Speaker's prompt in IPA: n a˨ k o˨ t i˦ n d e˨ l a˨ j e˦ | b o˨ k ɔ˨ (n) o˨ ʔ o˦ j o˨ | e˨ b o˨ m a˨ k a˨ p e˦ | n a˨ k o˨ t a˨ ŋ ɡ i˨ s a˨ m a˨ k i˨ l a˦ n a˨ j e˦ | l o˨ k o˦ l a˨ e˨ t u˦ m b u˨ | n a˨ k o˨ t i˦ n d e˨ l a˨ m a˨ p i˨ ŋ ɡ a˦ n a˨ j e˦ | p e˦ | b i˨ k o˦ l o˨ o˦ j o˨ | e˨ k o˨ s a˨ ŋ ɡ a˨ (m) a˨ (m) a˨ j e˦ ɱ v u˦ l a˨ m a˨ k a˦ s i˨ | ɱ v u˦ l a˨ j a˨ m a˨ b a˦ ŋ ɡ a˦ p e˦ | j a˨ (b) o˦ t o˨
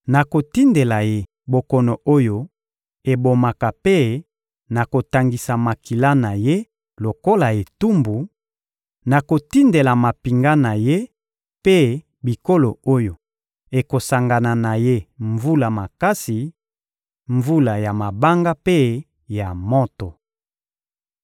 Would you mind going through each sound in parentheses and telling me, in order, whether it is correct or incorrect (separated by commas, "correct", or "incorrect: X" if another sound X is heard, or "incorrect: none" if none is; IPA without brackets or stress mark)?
correct, incorrect: n, incorrect: n, incorrect: m